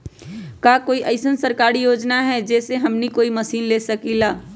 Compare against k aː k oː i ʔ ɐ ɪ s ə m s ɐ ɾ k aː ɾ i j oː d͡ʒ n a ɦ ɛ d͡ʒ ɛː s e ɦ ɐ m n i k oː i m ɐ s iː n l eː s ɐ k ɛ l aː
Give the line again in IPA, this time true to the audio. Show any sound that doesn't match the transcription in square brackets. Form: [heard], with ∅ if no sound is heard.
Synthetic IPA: k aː k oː i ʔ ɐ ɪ s ə [n] s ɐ ɾ k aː ɾ i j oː d͡ʒ n a ɦ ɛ d͡ʒ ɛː s e ɦ ɐ m n i k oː i m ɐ s iː n l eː s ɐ k [i] l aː